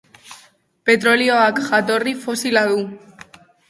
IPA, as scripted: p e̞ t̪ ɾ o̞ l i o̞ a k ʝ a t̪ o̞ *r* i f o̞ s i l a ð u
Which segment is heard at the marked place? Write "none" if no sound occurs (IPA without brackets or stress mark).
r